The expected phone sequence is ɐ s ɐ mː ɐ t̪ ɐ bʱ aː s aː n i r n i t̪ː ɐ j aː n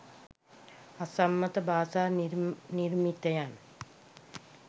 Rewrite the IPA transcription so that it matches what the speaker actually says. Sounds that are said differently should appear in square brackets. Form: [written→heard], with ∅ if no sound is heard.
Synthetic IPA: ɐ s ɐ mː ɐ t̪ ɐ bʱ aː s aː n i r [n→m] i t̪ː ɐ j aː n